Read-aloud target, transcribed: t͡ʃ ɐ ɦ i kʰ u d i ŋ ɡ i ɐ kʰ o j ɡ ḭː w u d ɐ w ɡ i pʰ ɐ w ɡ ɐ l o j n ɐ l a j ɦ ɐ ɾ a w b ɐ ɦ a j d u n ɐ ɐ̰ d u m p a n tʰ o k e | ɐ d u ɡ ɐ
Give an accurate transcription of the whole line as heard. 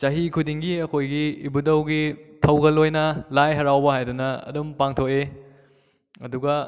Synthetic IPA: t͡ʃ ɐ ɦ i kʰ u d i ŋ ɡ i ɐ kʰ o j ɡ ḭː b u d ɐ w ɡ i tʰ ɐ w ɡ ɐ l o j n ɐ l a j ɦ ɐ ɾ a w b ɐ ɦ a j d u n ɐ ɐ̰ d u m p a ŋ tʰ o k e | ɐ d u ɡ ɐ

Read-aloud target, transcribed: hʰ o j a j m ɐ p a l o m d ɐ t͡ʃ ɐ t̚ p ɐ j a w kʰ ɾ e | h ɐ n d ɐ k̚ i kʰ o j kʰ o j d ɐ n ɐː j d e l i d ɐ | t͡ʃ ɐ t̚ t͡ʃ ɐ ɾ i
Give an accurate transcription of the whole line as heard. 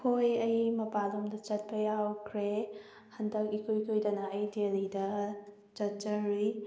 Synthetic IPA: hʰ o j ɐ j m ɐ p a l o m d ɐ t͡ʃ ɐ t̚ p ɐ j a w kʰ ɾ e | h ɐ n d ɐ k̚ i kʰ o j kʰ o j d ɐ n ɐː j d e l i d ɐ | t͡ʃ ɐ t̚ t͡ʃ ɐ ɾ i

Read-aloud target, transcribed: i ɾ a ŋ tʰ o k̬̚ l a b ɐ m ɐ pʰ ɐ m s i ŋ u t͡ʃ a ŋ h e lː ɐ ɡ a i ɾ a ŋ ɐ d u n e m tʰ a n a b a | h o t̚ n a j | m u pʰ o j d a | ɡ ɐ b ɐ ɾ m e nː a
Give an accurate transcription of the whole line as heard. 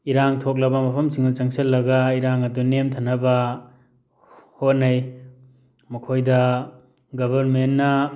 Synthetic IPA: i ɾ a ŋ tʰ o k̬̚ l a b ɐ m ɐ pʰ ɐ m s i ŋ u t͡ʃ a ŋ s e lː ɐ ɡ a i ɾ a ŋ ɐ d u n e m tʰ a n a b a | h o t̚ n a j | m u kʰ o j d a | ɡ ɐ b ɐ ɾ m e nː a

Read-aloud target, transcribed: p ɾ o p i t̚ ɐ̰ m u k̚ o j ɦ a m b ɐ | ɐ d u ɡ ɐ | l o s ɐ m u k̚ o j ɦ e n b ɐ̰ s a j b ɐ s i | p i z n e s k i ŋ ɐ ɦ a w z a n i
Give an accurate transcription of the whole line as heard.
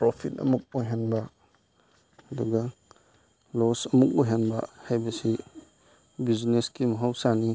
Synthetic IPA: p ɾ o pʰ i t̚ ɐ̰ m u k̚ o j ɦ a n b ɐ | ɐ d u ɡ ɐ | l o s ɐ m u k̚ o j ɦ a n b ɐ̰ h a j b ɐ s i | b i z n e s k i m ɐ ɦ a w s a n i

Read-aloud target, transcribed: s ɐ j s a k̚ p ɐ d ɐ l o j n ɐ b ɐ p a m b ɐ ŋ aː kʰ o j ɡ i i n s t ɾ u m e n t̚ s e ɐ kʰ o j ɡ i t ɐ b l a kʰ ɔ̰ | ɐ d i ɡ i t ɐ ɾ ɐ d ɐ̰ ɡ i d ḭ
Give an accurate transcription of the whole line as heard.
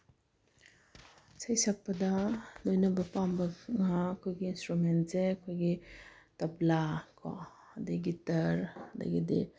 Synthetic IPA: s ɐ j s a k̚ p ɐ d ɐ l o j n ɐ b ɐ p a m b ɐ ŋ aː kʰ o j ɡ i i n s t ɾ u m e n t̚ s e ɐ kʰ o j ɡ i t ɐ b l a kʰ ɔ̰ | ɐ d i ɡ i t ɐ ɾ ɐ d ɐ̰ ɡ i d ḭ

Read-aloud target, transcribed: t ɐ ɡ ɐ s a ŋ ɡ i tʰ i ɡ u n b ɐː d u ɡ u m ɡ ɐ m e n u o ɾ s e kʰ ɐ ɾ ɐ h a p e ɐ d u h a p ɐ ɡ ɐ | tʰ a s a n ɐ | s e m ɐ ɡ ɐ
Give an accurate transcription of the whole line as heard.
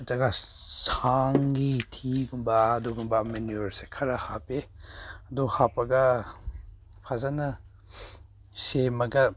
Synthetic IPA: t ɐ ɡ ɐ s a ŋ ɡ i tʰ i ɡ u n b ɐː d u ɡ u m b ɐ m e n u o ɾ s e kʰ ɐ ɾ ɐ h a p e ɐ d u h a p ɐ ɡ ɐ | pʰ a z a n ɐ | s e m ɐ ɡ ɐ

